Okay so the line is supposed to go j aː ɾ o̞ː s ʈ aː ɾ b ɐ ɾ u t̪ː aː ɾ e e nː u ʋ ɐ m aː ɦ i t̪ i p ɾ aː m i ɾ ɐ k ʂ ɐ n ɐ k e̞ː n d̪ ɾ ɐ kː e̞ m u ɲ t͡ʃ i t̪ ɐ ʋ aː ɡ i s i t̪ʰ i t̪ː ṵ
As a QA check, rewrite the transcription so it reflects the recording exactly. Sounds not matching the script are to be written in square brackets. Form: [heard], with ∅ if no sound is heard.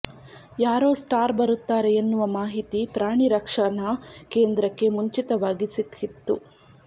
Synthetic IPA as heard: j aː ɾ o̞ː s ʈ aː ɾ b ɐ ɾ u t̪ː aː ɾ e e nː u ʋ ɐ m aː ɦ i t̪ i p ɾ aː [ɳ] i ɾ ɐ k ʂ ɐ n ɐ k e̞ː n d̪ ɾ ɐ kː e̞ m u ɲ t͡ʃ i t̪ ɐ ʋ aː ɡ i s i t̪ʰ i t̪ː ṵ

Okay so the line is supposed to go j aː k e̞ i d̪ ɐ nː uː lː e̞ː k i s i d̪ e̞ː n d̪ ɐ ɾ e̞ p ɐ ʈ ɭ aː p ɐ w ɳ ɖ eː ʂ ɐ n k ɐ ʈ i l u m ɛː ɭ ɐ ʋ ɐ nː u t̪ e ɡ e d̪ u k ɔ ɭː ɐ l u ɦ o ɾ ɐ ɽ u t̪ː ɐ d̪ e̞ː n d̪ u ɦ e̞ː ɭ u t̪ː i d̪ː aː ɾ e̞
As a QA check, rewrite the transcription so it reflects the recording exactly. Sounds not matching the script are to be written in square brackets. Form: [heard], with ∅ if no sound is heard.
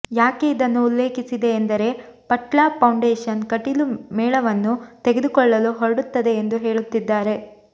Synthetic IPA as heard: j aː k e̞ i d̪ ɐ nː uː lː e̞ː k i s i d̪ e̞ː n d̪ ɐ ɾ e̞ p ɐ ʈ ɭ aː p ɐ w ɳ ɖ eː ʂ ɐ n k ɐ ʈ i l u m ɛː ɭ ɐ ʋ ɐ nː u t̪ e ɡ e d̪ u k ɔ ɭː ɐ l u ɦ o ɾ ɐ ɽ u t̪ː ɐ d̪ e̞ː n d̪ u ɦ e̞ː ɭ u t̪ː i d̪ː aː ɾ e̞

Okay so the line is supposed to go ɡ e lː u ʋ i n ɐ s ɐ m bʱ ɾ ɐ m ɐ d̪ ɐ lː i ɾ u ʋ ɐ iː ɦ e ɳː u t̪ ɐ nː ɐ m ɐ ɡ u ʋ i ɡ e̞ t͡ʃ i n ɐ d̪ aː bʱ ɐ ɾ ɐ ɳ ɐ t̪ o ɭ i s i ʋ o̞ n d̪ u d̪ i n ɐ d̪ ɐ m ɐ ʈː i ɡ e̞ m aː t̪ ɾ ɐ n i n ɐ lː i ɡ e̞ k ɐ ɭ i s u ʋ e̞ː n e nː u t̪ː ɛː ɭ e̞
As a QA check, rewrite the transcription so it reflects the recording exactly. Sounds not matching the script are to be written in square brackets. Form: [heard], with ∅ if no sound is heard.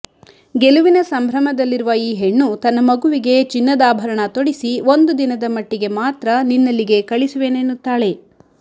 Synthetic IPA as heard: ɡ e [l] u ʋ i n ɐ s ɐ m bʱ ɾ ɐ m ɐ d̪ ɐ lː i ɾ u ʋ ɐ iː ɦ e ɳː u t̪ ɐ nː ɐ m ɐ ɡ u ʋ i ɡ e̞ t͡ʃ i [nː] ɐ d̪ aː bʱ ɐ ɾ ɐ ɳ ɐ t̪ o [ɽ] i s i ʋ o̞ n d̪ u d̪ i n ɐ d̪ ɐ m ɐ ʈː i ɡ e̞ m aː t̪ ɾ ɐ n i [nː] ɐ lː i ɡ e̞ k ɐ ɭ i s u ʋ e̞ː n e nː u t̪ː [aː] ɭ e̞

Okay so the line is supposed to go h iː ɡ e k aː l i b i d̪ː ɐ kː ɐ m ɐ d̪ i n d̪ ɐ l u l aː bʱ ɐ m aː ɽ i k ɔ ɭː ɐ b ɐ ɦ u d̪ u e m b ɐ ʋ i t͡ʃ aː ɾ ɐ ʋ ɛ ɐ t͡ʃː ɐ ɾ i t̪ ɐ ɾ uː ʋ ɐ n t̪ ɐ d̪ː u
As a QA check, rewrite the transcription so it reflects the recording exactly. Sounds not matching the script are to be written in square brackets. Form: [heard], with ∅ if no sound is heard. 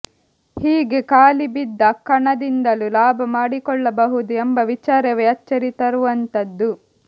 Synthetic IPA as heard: h iː ɡ e k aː l i b i d̪ː ɐ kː ɐ [ɳ] ɐ d̪ i n d̪ ɐ l u l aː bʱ ɐ m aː ɽ i k ɔ ɭː ɐ b ɐ ɦ u d̪ u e m b ɐ ʋ i t͡ʃ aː ɾ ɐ ʋ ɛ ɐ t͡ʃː ɐ ɾ i t̪ ɐ ɾ [u] ʋ ɐ n t̪ ɐ d̪ː u

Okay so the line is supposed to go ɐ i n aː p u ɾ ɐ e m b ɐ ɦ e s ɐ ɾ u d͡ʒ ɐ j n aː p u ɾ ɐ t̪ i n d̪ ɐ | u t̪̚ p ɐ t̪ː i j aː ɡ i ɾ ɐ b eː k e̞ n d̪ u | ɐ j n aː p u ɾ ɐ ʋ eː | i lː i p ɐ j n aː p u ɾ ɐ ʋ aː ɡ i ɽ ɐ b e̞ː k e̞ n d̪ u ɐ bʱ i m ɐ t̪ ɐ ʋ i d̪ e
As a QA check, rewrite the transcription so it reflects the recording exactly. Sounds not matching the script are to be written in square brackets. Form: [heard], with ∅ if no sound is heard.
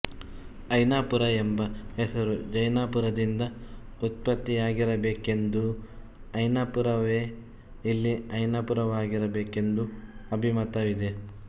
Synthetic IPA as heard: ɐ [j] n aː p u ɾ ɐ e m b ɐ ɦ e s ɐ ɾ u d͡ʒ ɐ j n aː p u ɾ ɐ [d̪] i n d̪ ɐ | u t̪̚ p ɐ t̪ː i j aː ɡ i ɾ ɐ b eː k e̞ n d̪ u | ɐ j n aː p u ɾ ɐ ʋ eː | i lː i [∅] ɐ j n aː p u ɾ ɐ ʋ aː ɡ i [ɾ] ɐ b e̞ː k e̞ n d̪ u ɐ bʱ i m ɐ t̪ ɐ ʋ i d̪ e

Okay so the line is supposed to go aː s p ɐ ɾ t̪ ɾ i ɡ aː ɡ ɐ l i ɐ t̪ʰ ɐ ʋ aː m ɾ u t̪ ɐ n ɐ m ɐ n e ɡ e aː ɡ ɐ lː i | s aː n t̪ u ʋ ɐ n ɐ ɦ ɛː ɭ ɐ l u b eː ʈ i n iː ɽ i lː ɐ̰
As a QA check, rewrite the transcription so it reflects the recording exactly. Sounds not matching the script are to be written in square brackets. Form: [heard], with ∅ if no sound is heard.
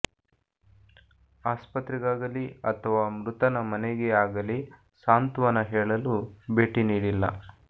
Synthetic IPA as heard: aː s p ɐ [∅] t̪ ɾ i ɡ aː ɡ ɐ l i ɐ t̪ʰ ɐ ʋ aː m ɾ u t̪ ɐ n ɐ m ɐ n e ɡ e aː ɡ ɐ [l] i | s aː n t̪ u ʋ ɐ n ɐ ɦ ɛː ɭ ɐ l u b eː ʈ i n iː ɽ i lː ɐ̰

